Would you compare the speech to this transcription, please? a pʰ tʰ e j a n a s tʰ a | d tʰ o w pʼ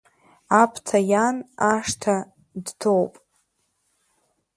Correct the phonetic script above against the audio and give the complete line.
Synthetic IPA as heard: a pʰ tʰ a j a n a ʂ tʰ a | d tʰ o w pʼ